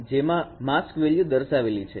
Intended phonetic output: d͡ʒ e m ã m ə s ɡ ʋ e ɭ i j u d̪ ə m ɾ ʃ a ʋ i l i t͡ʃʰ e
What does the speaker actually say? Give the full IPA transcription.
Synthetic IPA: d͡ʒ e m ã m a s k ʋ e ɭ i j u d̪ ə ɾ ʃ a ʋ e l i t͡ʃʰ e